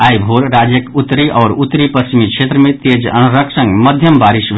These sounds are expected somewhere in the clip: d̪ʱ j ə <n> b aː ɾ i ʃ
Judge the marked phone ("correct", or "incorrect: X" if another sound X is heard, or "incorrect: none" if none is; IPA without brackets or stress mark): incorrect: m